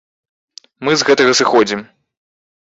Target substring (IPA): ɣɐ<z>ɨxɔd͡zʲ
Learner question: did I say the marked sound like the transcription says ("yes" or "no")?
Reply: no